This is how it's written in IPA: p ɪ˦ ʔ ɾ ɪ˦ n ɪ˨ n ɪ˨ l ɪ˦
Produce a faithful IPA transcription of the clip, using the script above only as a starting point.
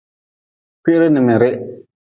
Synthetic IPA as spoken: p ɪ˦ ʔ ɾ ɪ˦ n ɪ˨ m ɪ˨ ɾ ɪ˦